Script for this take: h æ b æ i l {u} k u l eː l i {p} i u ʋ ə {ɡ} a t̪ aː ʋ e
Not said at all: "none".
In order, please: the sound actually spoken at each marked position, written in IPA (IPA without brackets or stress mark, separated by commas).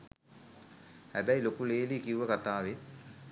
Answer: o, k, k